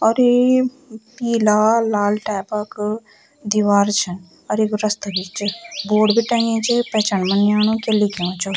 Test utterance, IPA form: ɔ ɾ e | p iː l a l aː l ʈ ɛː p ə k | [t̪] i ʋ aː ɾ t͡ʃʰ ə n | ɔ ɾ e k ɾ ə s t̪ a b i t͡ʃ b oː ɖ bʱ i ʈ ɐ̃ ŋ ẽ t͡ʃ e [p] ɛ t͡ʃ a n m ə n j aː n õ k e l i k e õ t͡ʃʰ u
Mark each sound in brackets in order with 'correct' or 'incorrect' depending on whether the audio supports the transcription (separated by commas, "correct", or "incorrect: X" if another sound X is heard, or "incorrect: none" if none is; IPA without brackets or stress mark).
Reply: incorrect: d̪, correct